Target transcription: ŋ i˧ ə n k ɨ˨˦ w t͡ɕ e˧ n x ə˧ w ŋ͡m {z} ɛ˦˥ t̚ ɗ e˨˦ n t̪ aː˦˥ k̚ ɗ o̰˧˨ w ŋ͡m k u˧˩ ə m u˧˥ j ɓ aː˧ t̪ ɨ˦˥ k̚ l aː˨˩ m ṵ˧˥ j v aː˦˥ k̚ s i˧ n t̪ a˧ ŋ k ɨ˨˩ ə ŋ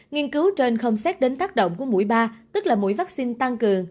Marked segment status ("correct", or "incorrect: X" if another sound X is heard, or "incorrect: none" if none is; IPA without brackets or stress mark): incorrect: s